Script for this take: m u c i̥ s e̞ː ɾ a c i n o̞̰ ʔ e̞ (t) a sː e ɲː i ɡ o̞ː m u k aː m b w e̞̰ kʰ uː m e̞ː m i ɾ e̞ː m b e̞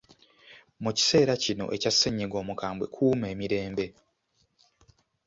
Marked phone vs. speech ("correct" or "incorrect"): incorrect